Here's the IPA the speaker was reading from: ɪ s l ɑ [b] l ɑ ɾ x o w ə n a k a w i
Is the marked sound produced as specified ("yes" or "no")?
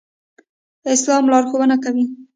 no